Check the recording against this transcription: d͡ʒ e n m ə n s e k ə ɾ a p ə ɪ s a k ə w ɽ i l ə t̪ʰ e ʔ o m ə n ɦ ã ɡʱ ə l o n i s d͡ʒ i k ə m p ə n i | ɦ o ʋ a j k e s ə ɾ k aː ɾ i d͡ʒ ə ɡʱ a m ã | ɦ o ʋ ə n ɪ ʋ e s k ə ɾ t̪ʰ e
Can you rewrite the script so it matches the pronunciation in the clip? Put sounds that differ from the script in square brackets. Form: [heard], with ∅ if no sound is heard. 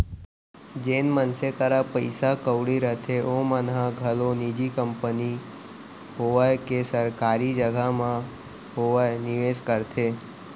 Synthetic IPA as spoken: d͡ʒ e n m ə n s e k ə ɾ a p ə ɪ s a k ə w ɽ i [ɾ] ə t̪ʰ e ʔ o m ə n ɦ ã ɡʱ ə l o n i [∅] d͡ʒ i k ə m p ə n i | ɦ o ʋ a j k e s ə ɾ k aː ɾ i d͡ʒ ə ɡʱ a m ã | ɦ o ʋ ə n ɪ ʋ e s k ə ɾ t̪ʰ e

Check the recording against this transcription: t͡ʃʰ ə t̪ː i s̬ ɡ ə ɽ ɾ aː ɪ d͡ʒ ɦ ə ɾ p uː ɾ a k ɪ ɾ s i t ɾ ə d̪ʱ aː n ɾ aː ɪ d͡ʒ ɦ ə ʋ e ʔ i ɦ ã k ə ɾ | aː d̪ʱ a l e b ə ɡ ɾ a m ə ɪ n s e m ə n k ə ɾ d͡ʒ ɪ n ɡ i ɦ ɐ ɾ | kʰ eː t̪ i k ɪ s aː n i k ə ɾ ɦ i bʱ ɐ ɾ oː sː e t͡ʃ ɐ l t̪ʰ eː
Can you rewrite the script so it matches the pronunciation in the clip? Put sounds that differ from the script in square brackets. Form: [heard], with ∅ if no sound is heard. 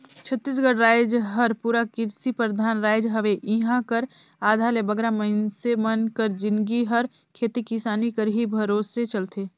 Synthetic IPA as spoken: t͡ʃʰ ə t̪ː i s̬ ɡ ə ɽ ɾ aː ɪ d͡ʒ ɦ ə ɾ p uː ɾ a k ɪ ɾ s i [p] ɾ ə d̪ʱ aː n ɾ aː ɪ d͡ʒ ɦ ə ʋ e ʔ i ɦ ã k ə ɾ | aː d̪ʱ a l e b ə ɡ ɾ a m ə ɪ n s e m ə n k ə ɾ d͡ʒ ɪ n ɡ i ɦ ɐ ɾ | kʰ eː t̪ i k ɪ s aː n i k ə ɾ ɦ i bʱ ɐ ɾ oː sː e t͡ʃ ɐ l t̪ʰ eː

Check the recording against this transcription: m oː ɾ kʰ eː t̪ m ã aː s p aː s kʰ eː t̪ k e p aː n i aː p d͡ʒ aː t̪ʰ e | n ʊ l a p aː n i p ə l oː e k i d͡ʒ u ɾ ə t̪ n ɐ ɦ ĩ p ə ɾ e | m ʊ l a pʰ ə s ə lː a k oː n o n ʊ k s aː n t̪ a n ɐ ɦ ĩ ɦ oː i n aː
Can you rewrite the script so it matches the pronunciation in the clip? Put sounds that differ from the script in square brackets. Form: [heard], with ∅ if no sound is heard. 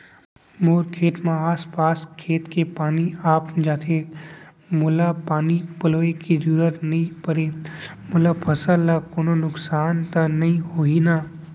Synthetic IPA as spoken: m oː ɾ kʰ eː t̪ m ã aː s p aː s kʰ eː t̪ k e p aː n i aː p d͡ʒ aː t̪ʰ e | [m] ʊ l a p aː n i p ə l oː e k i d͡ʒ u ɾ ə t̪ n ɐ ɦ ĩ p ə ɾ e | m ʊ l a pʰ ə s ə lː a k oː n o n ʊ k s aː n t̪ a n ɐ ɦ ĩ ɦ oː i n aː

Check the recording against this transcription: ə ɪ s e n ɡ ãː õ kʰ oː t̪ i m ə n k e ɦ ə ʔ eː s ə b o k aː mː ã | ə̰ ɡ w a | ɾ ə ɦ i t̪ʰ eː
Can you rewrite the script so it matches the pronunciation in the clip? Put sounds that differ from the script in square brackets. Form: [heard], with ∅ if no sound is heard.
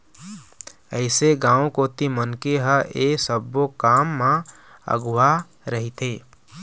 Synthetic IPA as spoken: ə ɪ s e [∅] ɡ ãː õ [k] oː t̪ i m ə n k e ɦ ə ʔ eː s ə b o k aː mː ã | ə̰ ɡ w a | ɾ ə ɦ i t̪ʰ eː

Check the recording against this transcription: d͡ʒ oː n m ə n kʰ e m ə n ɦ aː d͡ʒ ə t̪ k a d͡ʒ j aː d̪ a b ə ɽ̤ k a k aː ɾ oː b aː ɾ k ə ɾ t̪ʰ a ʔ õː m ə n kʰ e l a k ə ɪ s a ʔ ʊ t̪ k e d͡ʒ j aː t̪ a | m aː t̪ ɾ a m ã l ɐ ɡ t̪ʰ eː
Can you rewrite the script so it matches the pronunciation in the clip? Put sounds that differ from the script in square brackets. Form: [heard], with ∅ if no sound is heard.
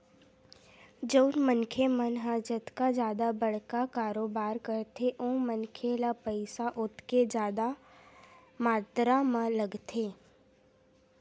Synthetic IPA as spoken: d͡ʒ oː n m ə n kʰ e m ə n ɦ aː d͡ʒ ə t̪ k a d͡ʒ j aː d̪ a b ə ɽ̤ k a k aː ɾ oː b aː ɾ k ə ɾ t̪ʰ [e] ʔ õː m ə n kʰ e l a [p] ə ɪ s a ʔ ʊ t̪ k e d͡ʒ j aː [d̪] a | m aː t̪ ɾ a m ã l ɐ ɡ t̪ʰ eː

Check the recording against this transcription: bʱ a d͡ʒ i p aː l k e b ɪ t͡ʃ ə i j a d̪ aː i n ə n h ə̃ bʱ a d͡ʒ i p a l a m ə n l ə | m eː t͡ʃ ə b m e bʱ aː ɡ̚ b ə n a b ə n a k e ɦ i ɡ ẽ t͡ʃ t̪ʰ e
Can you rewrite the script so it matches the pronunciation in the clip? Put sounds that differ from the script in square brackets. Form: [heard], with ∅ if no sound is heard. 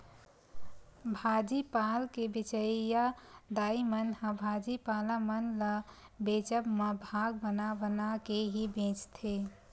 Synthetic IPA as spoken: bʱ a d͡ʒ i p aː l k e b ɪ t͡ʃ ə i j a d̪ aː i [m] ə n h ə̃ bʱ a d͡ʒ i p a l a m ə n l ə | [b] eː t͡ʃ ə b m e bʱ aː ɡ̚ b ə n a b ə n a k e ɦ i [b] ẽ t͡ʃ t̪ʰ e

